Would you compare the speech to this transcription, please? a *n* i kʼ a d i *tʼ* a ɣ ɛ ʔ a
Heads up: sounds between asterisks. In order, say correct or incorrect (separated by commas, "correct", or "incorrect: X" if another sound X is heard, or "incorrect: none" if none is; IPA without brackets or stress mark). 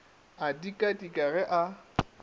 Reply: incorrect: d, incorrect: kʼ